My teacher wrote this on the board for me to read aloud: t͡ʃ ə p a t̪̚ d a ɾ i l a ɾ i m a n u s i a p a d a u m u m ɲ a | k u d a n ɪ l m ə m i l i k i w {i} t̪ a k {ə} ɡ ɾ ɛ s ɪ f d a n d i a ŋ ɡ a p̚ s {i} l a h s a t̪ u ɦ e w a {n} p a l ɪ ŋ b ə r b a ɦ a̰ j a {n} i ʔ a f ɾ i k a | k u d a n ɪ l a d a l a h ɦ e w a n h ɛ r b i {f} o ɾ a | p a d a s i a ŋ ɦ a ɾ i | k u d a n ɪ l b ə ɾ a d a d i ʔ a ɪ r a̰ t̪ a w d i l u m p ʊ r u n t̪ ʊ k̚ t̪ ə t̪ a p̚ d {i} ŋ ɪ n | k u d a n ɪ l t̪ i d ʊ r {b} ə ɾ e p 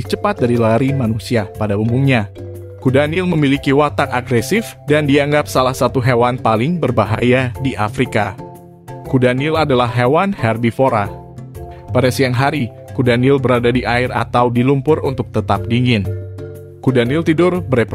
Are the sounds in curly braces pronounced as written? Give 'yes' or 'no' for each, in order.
no, no, no, yes, no, yes, yes, yes

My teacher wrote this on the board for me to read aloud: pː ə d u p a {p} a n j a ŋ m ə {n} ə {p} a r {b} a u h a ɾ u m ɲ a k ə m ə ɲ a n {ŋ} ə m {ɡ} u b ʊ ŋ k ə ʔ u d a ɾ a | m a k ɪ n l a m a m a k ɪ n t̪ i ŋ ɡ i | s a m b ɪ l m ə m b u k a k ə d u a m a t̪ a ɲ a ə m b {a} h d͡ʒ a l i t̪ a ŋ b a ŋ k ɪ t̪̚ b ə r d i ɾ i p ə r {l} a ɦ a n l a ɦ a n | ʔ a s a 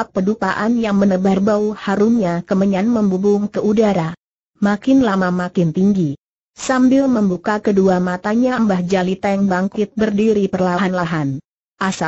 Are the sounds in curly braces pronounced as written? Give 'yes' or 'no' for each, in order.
no, yes, no, yes, no, no, yes, yes

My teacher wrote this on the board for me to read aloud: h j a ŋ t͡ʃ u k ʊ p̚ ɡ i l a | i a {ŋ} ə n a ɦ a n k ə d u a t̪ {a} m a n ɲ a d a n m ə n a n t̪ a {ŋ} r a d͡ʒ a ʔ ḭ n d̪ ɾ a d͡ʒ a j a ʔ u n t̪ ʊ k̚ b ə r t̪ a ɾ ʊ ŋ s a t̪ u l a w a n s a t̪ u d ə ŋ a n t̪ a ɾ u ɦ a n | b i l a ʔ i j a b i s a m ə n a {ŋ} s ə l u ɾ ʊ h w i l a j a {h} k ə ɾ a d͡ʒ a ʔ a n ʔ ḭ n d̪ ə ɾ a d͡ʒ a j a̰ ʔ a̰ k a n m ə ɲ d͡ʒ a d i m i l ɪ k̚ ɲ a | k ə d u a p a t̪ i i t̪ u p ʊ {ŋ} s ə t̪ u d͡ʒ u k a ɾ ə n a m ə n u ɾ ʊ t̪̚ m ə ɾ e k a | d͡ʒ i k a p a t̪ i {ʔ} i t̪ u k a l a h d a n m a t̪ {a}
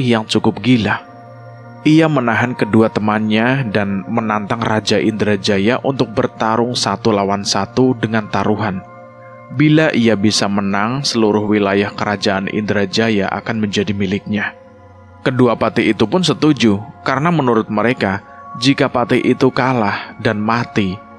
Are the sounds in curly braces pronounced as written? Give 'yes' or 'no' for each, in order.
no, no, yes, yes, yes, no, yes, no

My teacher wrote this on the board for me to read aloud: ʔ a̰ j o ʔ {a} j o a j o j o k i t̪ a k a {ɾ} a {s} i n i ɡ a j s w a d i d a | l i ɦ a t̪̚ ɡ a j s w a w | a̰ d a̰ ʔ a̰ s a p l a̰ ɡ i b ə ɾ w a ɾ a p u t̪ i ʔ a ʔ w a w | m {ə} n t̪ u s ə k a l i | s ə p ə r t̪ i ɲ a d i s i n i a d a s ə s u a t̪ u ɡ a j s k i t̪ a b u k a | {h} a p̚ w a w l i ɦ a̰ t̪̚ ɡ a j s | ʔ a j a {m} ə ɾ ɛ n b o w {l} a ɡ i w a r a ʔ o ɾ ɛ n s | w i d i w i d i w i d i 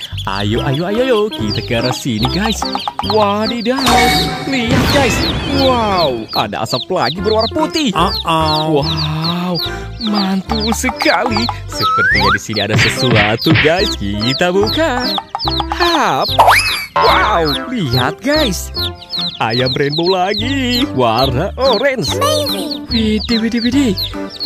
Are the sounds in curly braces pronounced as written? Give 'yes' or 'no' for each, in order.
yes, yes, yes, no, yes, yes, yes

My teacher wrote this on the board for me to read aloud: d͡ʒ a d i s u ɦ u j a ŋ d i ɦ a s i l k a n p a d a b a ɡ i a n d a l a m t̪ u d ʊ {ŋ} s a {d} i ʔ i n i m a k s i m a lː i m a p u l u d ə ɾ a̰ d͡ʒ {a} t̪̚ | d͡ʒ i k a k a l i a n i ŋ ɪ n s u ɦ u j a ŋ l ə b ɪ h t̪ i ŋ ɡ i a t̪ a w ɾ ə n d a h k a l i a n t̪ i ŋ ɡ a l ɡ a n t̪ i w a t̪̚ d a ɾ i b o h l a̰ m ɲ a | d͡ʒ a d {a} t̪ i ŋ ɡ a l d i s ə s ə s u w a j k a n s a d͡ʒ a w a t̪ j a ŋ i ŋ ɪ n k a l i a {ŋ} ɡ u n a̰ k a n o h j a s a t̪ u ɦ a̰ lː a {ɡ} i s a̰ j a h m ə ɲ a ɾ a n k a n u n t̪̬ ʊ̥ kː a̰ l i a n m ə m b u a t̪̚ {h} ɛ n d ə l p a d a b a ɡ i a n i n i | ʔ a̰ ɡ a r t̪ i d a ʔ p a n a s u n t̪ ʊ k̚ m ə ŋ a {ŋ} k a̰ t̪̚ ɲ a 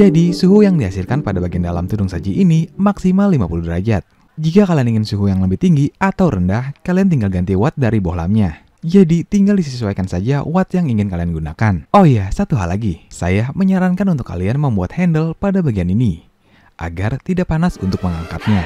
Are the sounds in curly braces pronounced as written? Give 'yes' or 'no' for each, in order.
yes, no, yes, no, no, yes, yes, yes

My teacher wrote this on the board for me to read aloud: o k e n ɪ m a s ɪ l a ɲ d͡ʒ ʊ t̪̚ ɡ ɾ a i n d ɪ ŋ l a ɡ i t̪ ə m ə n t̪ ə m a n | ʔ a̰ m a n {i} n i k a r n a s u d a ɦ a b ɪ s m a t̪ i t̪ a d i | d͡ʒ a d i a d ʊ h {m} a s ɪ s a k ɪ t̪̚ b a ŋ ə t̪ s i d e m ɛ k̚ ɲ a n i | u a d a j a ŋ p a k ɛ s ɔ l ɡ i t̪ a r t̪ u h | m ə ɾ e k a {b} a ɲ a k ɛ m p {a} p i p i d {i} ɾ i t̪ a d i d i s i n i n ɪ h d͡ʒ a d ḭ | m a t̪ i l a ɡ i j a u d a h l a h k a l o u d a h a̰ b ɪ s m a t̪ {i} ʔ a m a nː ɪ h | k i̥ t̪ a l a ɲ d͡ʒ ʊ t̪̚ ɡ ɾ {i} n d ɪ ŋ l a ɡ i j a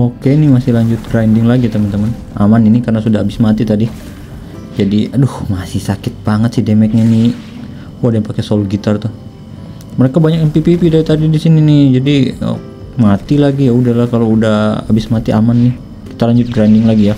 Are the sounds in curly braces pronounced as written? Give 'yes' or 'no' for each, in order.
yes, yes, yes, no, no, yes, no

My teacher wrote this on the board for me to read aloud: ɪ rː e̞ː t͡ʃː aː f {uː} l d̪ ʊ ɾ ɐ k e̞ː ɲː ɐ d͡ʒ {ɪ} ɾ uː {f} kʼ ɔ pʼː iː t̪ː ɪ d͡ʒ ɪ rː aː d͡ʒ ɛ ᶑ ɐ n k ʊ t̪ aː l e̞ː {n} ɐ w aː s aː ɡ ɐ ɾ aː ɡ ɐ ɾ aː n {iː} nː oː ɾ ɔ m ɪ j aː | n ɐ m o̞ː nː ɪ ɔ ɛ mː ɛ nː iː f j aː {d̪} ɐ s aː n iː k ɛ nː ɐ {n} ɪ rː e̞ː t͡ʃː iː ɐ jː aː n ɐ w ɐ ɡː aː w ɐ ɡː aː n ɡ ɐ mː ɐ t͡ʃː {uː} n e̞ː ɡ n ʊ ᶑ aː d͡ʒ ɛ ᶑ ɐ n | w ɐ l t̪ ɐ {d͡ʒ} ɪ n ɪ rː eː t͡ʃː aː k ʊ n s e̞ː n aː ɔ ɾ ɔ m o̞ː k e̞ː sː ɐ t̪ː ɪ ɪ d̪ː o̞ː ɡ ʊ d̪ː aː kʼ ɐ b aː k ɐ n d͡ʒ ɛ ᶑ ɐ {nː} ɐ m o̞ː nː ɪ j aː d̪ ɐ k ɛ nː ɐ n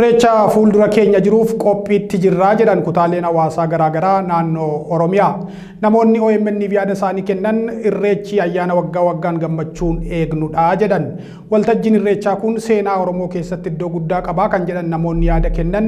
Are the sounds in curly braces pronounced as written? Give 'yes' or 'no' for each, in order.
yes, yes, yes, yes, no, yes, yes, yes, no, yes

